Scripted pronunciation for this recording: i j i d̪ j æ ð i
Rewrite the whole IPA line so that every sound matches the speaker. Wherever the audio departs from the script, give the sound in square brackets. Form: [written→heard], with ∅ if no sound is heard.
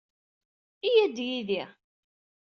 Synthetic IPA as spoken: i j [i→æ] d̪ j [æ→i] ð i